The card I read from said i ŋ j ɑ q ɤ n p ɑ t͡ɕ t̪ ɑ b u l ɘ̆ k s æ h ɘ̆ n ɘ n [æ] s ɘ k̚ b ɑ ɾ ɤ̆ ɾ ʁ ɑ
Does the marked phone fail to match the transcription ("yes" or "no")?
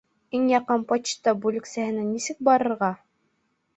yes